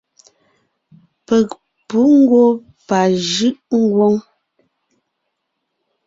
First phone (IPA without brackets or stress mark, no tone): p